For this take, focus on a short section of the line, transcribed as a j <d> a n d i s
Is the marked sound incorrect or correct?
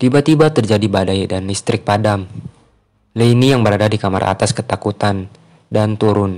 correct